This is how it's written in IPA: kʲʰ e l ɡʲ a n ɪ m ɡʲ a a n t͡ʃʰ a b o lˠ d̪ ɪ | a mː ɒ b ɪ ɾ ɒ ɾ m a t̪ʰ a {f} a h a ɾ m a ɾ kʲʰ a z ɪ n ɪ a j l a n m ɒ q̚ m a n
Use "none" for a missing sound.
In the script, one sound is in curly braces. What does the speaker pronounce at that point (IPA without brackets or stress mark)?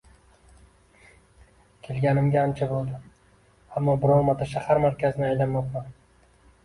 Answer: ʃ